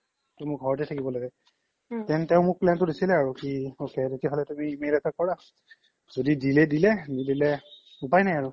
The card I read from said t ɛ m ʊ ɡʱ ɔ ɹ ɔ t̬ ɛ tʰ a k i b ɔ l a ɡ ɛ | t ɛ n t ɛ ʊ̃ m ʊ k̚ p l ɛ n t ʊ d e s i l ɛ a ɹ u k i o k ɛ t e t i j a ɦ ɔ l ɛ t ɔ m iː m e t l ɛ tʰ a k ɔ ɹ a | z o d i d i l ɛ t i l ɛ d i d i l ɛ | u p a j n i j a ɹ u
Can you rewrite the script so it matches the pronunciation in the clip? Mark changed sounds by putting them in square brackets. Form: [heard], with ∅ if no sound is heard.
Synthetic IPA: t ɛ m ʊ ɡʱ ɔ ɹ ɔ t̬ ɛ tʰ a k i b ɔ l a ɡ ɛ | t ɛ n t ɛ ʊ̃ m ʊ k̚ p l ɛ n t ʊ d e s i l ɛ a ɹ u k i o k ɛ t e t i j a ɦ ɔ l ɛ t [u] m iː m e [∅] l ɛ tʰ a k ɔ ɹ a | z o d i d i l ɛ [d] i l ɛ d i d i l ɛ | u p a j n [a] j a ɹ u

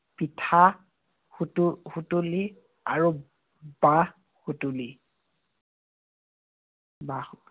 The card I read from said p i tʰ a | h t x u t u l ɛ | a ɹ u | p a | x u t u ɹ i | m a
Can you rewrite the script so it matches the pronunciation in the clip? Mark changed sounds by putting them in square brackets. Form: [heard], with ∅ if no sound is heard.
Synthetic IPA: p i tʰ a | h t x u t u l [i] | a ɹ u | [b] a | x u t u [l] i | [b] a

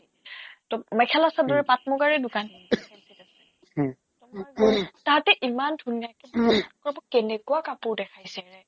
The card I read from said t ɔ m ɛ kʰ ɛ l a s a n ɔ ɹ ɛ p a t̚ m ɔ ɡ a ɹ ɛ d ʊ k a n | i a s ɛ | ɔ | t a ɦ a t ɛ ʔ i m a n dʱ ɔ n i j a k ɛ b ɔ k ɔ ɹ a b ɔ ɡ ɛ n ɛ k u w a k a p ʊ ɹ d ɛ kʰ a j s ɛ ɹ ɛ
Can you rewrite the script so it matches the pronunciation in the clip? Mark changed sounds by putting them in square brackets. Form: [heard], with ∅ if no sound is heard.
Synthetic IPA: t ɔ m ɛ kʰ ɛ l a s a [d] ɔ ɹ ɛ p a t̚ m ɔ ɡ a ɹ ɛ d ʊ k a n | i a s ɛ | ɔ | t a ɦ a t ɛ ʔ i m a n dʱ [u] n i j a k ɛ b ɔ k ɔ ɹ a b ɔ [k] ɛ n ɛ k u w a k a p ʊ ɹ d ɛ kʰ a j s ɛ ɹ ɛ

